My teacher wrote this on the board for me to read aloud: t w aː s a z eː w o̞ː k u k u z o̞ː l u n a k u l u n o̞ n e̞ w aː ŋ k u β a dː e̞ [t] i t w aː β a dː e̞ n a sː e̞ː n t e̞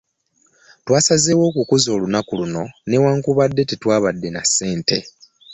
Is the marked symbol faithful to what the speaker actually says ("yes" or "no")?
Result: yes